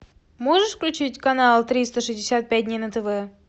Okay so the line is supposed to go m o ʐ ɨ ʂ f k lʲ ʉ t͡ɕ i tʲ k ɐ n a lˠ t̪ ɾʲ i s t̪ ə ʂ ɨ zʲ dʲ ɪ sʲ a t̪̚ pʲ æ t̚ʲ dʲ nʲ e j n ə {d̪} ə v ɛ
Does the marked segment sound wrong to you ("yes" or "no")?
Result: yes